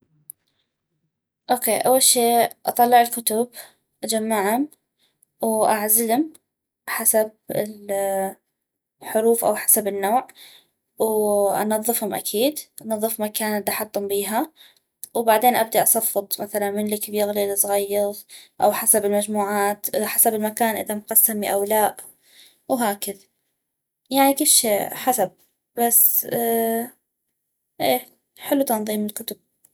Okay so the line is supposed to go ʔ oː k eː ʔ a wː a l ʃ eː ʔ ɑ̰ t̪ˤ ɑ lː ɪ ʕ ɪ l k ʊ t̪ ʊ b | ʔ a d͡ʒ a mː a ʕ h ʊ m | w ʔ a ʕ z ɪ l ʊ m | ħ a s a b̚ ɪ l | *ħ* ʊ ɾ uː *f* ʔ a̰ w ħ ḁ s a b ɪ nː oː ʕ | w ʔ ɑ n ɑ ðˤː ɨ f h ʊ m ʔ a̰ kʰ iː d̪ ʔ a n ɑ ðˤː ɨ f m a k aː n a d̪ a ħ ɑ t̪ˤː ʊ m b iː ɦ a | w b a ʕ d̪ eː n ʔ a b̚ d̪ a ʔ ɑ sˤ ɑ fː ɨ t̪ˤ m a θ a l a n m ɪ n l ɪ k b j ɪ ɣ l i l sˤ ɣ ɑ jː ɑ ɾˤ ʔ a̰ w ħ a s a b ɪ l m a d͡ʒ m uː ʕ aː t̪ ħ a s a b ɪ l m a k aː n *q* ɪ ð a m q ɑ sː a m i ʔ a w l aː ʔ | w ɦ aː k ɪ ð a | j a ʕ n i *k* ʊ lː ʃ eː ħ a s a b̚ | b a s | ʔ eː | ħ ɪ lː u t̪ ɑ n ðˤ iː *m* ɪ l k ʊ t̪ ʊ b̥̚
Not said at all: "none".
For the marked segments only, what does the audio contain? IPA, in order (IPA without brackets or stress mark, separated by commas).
ħ, f, ʔ, k, m